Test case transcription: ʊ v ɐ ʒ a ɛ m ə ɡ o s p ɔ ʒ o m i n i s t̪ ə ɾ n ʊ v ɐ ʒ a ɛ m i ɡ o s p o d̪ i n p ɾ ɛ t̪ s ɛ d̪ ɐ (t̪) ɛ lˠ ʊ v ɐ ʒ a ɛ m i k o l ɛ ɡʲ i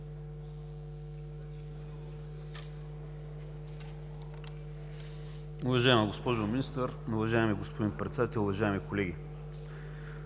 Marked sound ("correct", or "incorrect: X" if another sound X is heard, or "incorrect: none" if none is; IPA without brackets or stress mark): correct